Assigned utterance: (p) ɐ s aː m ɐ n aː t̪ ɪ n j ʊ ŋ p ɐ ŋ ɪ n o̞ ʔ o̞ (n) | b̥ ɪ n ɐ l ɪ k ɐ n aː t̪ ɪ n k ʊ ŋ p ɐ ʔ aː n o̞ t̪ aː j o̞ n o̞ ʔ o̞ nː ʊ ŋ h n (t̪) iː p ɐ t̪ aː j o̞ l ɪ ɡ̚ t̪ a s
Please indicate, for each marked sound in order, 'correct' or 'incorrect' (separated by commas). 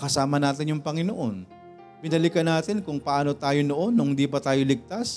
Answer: incorrect, correct, incorrect